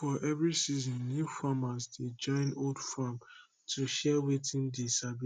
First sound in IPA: f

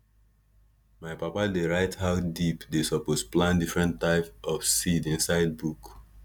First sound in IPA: m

